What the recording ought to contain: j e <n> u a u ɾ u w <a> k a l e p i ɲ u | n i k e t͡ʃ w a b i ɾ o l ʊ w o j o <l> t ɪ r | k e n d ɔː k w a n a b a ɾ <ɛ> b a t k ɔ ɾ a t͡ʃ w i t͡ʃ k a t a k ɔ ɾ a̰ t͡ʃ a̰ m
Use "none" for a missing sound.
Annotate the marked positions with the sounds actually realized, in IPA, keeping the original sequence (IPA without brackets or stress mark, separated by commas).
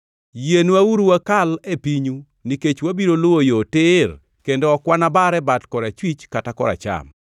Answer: n, a, none, ɛ